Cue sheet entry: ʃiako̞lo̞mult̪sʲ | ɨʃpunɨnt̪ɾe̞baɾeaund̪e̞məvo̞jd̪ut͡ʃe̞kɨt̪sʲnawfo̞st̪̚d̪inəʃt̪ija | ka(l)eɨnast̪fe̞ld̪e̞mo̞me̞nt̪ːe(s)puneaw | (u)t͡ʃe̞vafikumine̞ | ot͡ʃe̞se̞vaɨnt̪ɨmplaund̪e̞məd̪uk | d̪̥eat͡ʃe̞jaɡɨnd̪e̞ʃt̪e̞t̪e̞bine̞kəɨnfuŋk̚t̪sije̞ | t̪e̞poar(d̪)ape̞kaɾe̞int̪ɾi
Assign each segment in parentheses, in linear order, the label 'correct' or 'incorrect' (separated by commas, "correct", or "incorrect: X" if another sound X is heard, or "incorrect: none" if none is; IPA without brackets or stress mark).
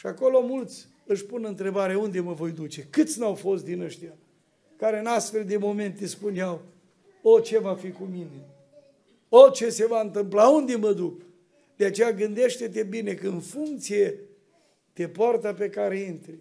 incorrect: ɾ, correct, incorrect: o, incorrect: t̪